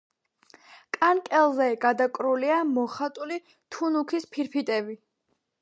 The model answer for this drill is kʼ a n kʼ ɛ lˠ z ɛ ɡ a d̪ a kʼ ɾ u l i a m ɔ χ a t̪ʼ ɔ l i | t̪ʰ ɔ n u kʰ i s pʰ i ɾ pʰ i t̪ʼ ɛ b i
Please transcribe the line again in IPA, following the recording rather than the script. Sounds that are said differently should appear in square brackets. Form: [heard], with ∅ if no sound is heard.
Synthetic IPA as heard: kʼ a n kʼ ɛ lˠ z ɛ ɡ a d̪ a kʼ ɾ u l i a m ɔ χ a t̪ʼ [u] l i | t̪ʰ [u] n u kʰ i s pʰ i ɾ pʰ i t̪ʼ ɛ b i